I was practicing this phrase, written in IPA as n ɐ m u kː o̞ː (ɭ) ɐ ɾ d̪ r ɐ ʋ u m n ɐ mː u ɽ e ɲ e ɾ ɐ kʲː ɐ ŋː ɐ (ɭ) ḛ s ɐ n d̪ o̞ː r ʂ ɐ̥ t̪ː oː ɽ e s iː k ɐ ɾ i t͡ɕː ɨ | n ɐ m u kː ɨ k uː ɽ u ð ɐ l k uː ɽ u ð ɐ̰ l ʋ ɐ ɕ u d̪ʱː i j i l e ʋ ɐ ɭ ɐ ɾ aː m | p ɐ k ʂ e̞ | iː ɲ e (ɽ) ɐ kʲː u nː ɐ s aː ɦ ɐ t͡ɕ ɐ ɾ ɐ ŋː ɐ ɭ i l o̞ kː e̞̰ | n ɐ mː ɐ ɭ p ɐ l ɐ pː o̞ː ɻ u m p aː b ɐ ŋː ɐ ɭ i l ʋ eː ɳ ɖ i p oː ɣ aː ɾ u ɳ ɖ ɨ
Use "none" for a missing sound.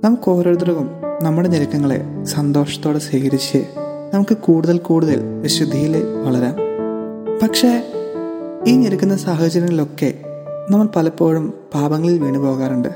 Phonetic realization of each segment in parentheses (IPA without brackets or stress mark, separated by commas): ɾ, ɭ, ɾ